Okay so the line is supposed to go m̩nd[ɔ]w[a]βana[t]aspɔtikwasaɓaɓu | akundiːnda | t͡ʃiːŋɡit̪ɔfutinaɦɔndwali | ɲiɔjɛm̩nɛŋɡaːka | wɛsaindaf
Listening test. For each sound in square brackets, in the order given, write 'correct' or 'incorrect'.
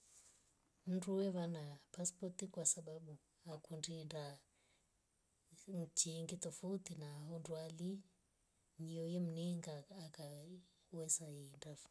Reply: incorrect, incorrect, incorrect

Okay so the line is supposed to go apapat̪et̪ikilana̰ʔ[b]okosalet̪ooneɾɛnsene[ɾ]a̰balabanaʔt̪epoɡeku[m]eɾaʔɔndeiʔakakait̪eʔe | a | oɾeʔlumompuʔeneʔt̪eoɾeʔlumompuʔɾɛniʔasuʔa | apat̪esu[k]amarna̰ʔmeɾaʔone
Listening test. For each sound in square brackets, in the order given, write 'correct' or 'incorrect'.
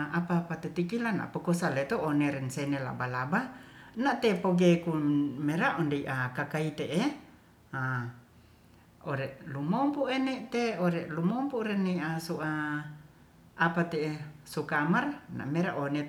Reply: incorrect, incorrect, correct, correct

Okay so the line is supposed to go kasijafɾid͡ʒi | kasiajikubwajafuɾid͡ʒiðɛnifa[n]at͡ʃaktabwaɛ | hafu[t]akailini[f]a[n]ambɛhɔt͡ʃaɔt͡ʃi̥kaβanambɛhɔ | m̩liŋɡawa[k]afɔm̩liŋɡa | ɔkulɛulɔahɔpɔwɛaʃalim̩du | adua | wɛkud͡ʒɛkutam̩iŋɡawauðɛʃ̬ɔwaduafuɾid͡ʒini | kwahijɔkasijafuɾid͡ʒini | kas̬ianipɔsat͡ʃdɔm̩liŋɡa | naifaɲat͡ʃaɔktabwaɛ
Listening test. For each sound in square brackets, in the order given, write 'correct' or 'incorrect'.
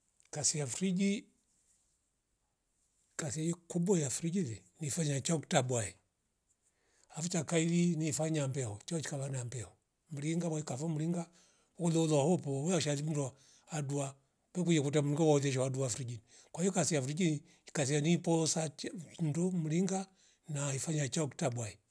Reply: incorrect, incorrect, correct, incorrect, correct

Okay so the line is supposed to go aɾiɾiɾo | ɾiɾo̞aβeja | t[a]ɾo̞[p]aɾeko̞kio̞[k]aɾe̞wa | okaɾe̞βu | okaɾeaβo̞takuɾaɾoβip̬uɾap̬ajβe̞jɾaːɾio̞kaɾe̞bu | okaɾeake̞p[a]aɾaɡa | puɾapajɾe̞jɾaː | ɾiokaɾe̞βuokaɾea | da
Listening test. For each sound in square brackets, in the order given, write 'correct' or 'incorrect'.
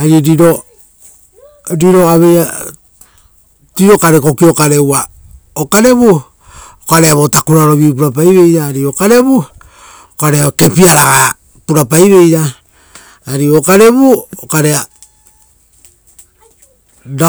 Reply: incorrect, incorrect, correct, incorrect

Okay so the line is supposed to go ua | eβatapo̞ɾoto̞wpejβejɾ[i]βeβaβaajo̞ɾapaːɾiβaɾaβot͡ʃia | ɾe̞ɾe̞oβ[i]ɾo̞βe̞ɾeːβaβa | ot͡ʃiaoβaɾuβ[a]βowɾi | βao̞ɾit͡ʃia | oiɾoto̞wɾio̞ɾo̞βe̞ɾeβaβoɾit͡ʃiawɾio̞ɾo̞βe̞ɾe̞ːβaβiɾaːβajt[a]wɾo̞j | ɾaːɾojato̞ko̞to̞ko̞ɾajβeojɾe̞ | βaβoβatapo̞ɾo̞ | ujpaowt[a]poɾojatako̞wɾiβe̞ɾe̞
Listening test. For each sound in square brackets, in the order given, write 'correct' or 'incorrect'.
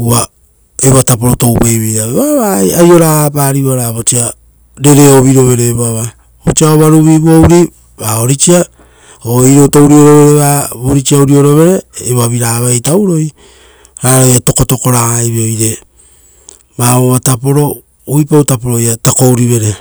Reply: incorrect, correct, incorrect, correct, correct

